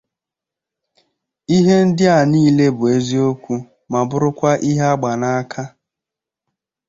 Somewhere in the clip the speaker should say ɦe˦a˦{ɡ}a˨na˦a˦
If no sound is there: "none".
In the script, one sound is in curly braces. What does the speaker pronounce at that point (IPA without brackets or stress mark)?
ɡ͡b